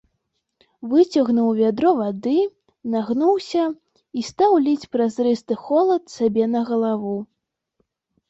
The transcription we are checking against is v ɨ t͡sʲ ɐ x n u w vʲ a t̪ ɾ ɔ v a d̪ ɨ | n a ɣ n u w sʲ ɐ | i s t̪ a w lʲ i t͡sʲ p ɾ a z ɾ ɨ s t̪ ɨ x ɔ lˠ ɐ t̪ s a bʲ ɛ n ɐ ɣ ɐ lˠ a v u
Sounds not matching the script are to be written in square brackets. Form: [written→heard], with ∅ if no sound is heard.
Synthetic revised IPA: v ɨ t͡sʲ ɐ [x→ɣ] n u w vʲ a [t̪→d̪] ɾ ɔ v a d̪ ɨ | n a ɣ n u w sʲ ɐ | i s t̪ a w lʲ i t͡sʲ p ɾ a z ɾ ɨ s t̪ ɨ x ɔ lˠ ɐ t̪ s a bʲ ɛ n ɐ ɣ ɐ lˠ a v u